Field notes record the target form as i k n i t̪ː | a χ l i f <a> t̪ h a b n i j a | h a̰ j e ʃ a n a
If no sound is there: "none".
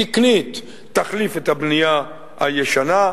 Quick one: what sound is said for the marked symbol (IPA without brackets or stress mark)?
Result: e